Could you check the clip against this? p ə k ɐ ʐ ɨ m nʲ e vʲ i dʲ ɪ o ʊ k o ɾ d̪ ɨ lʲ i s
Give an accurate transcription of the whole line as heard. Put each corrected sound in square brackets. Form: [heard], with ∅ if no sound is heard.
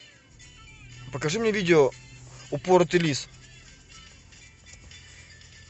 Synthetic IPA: p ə k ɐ ʐ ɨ m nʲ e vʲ i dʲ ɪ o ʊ [p] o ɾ [t̪] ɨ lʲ i s